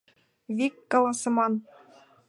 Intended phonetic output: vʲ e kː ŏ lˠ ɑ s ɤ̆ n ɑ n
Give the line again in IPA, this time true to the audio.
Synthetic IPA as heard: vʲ i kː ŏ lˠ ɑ s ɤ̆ m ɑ n